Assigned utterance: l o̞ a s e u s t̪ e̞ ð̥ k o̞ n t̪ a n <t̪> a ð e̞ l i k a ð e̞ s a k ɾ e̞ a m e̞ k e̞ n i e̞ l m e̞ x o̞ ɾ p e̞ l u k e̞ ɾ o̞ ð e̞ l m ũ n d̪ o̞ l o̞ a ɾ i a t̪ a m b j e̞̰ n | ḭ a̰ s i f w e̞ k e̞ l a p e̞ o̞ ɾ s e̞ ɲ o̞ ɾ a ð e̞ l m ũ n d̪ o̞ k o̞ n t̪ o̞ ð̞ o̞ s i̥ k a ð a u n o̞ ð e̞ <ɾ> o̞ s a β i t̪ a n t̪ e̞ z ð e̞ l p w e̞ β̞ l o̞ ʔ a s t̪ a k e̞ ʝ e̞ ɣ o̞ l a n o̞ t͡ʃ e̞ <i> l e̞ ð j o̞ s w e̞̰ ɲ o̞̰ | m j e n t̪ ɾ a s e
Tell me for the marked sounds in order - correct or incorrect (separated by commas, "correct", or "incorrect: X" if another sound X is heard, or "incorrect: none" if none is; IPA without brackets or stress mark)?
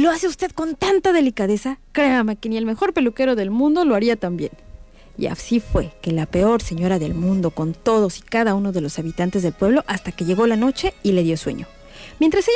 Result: correct, incorrect: l, correct